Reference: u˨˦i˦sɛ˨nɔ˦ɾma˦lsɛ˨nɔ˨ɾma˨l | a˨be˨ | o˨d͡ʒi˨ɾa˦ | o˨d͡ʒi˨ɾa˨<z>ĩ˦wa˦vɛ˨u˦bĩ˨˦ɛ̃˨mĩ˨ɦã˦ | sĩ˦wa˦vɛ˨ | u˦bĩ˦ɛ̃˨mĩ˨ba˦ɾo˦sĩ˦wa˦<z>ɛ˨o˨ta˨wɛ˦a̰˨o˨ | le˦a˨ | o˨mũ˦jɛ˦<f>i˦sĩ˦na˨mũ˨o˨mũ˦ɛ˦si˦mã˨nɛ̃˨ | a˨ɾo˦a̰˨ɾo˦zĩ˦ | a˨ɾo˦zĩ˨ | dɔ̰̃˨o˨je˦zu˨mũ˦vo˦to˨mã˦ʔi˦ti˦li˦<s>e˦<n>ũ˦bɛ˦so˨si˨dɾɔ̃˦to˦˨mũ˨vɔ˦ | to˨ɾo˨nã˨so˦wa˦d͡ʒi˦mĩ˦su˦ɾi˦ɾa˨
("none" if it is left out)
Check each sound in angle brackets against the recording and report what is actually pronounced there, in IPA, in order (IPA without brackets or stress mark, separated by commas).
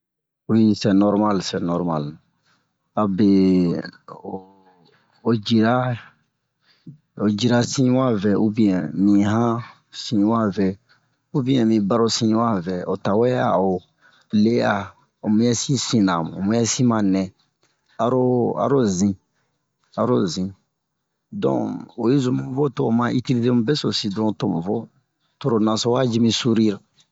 s, v, s, t, m